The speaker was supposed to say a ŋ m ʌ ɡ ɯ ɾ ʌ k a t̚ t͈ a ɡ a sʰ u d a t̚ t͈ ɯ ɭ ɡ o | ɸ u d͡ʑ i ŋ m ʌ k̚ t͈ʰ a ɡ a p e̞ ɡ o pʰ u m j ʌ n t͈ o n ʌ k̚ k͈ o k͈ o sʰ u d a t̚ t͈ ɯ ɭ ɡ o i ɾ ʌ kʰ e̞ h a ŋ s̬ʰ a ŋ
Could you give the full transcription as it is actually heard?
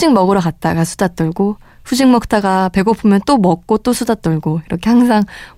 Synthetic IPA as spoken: i ŋ m ʌ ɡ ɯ ɾ ʌ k a t̚ t͈ a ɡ a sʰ u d a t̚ t͈ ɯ ɭ ɡ o | ɸ u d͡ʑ i ŋ m ʌ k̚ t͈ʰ a ɡ a p e̞ ɡ o pʰ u m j ʌ n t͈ o m ʌ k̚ k͈ o t͈ o sʰ u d a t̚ t͈ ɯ ɭ ɡ o i ɾ ʌ kʰ e̞ h a ŋ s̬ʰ a ŋ